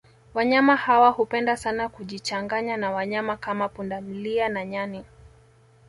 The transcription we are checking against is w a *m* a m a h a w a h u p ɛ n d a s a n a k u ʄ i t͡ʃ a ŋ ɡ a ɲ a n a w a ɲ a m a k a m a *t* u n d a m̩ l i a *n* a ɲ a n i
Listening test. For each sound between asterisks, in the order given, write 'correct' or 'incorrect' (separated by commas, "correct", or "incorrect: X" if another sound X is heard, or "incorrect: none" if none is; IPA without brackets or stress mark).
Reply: incorrect: ɲ, incorrect: p, correct